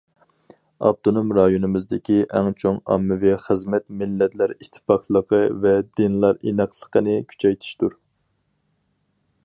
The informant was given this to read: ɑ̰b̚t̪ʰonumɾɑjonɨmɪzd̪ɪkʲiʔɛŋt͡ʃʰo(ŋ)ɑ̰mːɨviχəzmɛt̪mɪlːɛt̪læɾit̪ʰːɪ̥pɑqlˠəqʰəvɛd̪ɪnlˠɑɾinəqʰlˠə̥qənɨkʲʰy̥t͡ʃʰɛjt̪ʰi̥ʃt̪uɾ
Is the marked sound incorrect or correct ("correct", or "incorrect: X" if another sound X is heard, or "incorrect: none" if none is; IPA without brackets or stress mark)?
correct